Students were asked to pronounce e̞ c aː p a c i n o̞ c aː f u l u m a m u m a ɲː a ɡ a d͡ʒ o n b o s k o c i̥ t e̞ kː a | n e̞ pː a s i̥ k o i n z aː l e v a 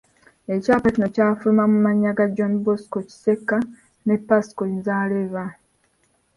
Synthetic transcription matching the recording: e̞ c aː p a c i n o̞ c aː f u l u m a m u m a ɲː a ɡ a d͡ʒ o n b o s k o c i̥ s e̞ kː a | n e̞ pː a s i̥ k o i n z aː l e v a